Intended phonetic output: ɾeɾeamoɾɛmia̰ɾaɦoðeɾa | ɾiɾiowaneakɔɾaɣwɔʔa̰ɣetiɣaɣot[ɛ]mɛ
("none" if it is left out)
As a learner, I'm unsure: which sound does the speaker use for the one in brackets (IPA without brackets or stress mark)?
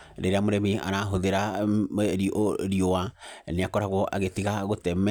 ɛ